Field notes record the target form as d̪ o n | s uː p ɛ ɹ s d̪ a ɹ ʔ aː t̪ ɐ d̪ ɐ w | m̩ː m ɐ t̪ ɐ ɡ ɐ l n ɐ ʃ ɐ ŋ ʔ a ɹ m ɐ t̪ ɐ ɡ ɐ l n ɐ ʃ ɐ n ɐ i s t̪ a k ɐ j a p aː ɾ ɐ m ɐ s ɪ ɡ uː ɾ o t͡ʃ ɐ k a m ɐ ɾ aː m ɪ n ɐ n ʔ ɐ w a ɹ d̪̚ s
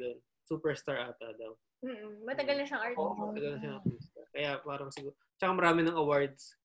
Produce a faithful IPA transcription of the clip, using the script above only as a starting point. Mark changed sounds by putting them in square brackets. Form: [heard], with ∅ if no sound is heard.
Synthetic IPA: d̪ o n | s uː p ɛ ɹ s [t̪] a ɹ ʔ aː t̪ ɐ d̪ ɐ w | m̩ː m ɐ t̪ ɐ ɡ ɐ l n ɐ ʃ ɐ ŋ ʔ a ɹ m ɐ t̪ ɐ ɡ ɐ l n ɐ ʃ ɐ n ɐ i s t̪ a k ɐ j a p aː ɾ ɐ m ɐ s ɪ ɡ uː ɾ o t͡ʃ ɐ k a m ɐ ɾ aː m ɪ n ɐ [ŋ] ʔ ɐ w a ɹ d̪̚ s